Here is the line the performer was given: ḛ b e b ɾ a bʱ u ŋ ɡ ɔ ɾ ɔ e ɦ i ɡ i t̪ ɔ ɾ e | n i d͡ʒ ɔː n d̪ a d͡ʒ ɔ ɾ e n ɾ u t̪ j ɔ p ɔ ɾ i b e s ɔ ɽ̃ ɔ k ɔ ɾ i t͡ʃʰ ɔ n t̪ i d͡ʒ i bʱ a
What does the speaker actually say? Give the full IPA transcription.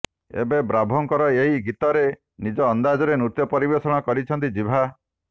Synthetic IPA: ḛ b e b ɾ a bʱ ɔ ŋ k ɔ ɾ ɔ e ɦ i ɡ i t̪ ɔ ɾ e | n i d͡ʒ ɔː n d̪ a d͡ʒ ɔ ɾ e n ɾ u t̪ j ɔ p ɔ ɾ i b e s ɔ ɽ̃ ɔ k ɔ ɾ i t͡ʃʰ ɔ n t̪ i d͡ʒ i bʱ a